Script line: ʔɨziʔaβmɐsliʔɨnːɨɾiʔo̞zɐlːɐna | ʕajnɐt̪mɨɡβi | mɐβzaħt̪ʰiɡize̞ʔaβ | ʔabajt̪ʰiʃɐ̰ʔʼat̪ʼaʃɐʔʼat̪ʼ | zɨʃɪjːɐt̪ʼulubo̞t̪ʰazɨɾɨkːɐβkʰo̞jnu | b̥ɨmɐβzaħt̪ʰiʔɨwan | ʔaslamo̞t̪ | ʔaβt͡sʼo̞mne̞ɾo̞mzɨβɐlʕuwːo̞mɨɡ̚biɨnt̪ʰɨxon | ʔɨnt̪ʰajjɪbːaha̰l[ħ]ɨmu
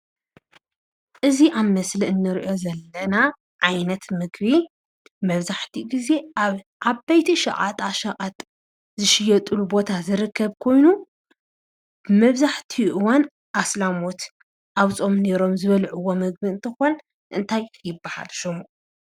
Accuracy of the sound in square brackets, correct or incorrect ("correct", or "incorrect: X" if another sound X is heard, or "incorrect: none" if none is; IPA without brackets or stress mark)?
incorrect: ʃ